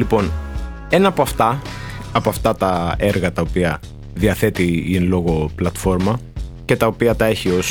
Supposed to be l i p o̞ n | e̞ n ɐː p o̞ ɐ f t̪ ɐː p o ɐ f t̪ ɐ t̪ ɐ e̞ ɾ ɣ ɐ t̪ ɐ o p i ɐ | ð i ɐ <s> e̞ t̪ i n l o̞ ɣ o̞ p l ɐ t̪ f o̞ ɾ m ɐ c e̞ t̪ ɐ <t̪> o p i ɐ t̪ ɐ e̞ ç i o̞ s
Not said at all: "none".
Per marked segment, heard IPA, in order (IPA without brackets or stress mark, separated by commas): θ, none